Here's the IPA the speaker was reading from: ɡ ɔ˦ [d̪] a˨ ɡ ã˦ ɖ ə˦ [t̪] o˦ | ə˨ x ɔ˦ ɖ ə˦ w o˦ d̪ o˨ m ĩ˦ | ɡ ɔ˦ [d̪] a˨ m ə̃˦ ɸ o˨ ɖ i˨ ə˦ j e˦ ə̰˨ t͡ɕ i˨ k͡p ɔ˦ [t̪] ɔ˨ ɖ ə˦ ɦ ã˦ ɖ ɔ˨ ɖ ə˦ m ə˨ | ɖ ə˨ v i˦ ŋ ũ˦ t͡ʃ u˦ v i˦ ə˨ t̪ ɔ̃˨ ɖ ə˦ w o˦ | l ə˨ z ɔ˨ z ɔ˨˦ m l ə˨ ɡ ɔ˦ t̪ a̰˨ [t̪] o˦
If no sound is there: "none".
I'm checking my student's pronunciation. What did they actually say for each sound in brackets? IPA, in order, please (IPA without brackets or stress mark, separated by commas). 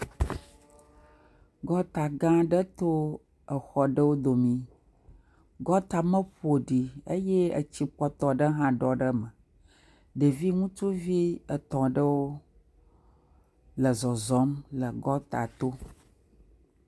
t̪, t̪, t̪, t̪, t̪